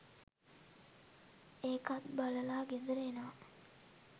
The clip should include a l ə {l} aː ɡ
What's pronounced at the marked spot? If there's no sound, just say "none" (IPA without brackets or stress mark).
l